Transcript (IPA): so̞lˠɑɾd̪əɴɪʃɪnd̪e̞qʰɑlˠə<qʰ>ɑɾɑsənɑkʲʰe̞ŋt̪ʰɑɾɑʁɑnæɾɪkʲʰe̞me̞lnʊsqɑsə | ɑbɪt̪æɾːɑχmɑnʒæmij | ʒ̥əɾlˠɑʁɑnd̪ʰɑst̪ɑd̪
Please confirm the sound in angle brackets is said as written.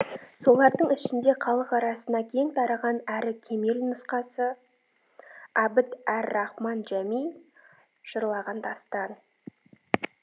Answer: no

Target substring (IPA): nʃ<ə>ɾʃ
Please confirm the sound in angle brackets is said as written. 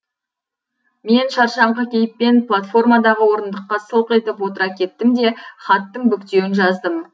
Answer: no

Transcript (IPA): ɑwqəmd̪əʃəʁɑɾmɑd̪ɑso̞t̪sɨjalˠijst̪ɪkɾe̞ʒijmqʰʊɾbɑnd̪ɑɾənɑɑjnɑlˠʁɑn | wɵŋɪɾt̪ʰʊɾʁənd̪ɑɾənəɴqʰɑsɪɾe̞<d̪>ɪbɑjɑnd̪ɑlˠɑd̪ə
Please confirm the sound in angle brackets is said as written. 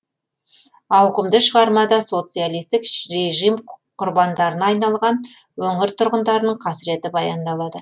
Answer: no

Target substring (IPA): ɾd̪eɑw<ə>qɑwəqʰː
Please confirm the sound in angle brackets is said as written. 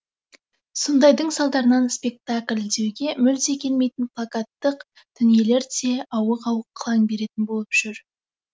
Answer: yes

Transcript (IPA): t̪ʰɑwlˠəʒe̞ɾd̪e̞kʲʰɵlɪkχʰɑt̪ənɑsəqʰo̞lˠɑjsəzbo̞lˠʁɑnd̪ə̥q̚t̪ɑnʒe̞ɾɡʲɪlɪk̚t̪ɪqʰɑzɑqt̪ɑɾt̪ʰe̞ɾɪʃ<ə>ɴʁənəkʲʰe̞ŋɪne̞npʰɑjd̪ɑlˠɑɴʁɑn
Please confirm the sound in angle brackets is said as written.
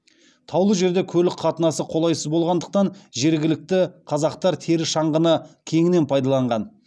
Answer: no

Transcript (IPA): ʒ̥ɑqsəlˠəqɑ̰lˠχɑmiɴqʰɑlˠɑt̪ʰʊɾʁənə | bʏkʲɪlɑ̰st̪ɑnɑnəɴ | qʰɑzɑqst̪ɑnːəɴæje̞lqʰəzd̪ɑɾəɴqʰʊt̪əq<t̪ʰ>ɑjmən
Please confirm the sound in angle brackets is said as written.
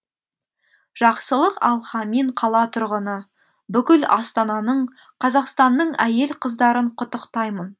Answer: no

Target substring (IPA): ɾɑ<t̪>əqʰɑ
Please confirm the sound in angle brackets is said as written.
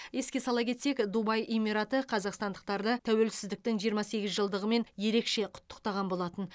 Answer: yes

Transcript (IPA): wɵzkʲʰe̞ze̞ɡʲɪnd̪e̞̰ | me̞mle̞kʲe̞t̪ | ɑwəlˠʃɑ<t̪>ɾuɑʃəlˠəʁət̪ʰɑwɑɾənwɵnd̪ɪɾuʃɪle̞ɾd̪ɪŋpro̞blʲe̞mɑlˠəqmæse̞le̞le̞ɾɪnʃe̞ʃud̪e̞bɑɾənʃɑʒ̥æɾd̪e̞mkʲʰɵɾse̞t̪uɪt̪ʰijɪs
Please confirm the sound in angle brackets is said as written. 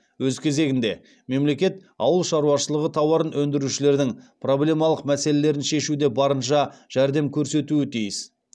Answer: no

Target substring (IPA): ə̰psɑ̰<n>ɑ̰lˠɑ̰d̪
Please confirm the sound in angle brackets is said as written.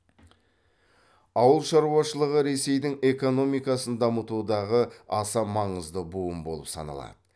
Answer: yes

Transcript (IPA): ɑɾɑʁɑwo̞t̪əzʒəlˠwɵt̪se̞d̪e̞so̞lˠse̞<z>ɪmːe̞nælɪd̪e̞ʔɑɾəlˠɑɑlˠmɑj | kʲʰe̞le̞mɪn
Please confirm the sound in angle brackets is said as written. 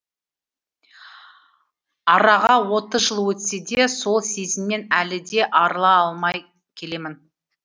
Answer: yes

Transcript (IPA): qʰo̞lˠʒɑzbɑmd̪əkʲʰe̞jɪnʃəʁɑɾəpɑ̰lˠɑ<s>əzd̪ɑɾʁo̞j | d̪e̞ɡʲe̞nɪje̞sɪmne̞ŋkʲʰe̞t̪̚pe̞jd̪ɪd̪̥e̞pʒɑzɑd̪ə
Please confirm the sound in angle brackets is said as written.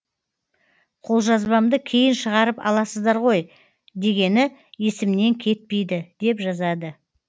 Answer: yes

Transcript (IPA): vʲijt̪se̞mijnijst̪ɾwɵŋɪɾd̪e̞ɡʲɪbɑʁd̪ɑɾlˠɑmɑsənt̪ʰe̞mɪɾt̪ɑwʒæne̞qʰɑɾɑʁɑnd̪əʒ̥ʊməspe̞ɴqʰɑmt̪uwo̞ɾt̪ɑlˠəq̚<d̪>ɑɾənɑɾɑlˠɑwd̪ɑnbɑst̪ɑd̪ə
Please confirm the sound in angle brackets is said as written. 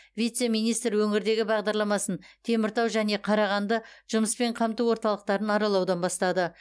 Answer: no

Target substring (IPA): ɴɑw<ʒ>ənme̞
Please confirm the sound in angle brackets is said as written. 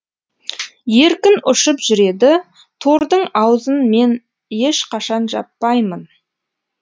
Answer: no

